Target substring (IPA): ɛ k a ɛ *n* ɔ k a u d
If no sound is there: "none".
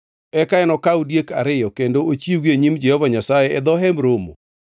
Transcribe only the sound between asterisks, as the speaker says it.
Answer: n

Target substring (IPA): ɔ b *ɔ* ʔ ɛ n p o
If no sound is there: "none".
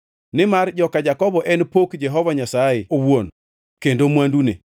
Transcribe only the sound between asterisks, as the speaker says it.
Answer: ɔ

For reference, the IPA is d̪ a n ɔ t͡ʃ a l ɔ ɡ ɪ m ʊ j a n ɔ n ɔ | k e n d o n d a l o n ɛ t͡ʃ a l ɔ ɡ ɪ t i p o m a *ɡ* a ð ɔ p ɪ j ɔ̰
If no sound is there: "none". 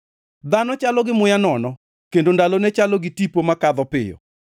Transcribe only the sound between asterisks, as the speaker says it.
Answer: k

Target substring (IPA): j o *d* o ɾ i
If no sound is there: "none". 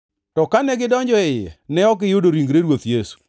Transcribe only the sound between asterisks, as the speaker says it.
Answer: d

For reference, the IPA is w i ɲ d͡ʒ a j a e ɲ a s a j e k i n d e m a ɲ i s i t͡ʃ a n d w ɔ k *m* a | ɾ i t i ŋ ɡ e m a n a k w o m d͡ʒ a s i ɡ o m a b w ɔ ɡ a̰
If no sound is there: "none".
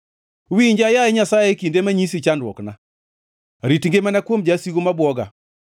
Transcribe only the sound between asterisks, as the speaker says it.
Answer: n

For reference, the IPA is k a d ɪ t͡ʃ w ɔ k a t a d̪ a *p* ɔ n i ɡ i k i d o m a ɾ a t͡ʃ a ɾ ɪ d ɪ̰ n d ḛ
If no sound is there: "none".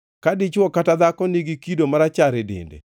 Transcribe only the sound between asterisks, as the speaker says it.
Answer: k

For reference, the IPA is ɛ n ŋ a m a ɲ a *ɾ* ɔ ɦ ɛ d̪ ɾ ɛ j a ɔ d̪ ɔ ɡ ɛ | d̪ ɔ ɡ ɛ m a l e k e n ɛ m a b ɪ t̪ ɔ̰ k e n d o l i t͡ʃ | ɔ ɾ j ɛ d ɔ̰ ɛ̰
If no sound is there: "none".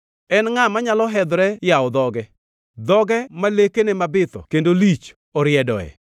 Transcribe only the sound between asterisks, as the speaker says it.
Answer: l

